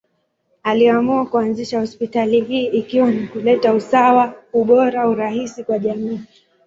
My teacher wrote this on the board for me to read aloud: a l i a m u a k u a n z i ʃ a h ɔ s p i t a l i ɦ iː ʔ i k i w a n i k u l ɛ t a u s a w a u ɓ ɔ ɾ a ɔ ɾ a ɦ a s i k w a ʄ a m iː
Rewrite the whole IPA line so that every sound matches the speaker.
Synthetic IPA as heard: a l i a m u a k u a n z i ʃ a h ɔ s p i t a l i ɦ iː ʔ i k i w a n i k u l ɛ t a u s a w a u ɓ ɔ ɾ a u ɾ a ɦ i s i k w a ʄ a m iː